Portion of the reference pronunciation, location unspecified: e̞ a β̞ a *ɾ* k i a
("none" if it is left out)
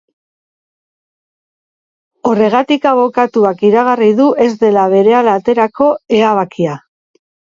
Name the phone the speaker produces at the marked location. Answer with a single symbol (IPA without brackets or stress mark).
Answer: none